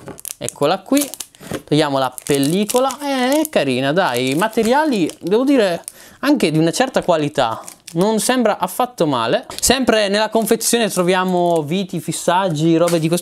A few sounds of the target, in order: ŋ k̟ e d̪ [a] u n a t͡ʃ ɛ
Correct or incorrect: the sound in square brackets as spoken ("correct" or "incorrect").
incorrect